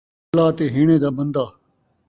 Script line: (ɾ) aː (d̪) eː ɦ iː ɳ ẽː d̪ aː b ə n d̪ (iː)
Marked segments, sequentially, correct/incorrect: incorrect: l, incorrect: t̪, incorrect: aː

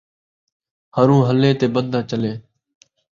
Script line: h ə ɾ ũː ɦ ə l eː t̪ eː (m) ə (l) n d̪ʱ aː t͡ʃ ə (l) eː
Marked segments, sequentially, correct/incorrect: incorrect: b, incorrect: none, correct

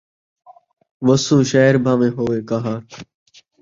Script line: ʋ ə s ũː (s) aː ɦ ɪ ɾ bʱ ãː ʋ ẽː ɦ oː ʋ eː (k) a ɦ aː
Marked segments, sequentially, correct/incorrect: incorrect: ʃ, correct

